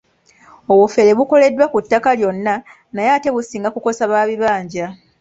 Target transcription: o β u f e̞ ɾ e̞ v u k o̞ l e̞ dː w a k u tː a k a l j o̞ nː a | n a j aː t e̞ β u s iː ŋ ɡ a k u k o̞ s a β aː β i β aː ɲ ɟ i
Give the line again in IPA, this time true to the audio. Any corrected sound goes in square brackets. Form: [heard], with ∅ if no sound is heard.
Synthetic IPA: o β u f e̞ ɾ e̞ [β] u k o̞ l e̞ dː w a k u tː a k a l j o̞ nː a | n a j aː t e̞ β u s iː ŋ ɡ a k u k o̞ s a β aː β i β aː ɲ ɟ [a]